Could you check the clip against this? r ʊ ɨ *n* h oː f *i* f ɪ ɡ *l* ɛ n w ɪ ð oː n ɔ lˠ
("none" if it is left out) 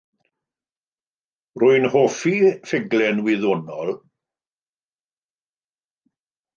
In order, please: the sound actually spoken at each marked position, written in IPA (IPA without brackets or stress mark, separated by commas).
n, i, l